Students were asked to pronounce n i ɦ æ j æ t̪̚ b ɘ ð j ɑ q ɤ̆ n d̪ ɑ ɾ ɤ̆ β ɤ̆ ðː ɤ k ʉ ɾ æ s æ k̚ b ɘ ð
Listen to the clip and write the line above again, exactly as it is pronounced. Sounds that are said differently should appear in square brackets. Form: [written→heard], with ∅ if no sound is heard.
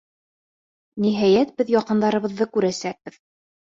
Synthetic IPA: n i ɦ æ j æ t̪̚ b ɘ ð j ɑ q ɤ̆ n d̪ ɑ ɾ ɤ̆ β ɤ̆ ðː ɤ k ʉ ɾ æ s æ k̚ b ɘ ð